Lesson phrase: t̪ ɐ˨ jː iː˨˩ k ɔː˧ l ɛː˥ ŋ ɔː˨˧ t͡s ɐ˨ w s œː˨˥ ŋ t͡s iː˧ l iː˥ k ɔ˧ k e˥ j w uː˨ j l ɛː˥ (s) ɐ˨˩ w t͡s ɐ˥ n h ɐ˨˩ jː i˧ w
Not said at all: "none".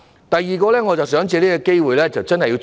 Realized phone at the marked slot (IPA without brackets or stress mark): t͡s